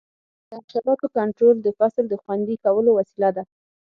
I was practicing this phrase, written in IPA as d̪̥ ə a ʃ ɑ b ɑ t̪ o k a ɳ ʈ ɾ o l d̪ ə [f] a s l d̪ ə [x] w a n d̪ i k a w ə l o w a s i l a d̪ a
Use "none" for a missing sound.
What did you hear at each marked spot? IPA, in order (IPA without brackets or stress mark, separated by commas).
f, x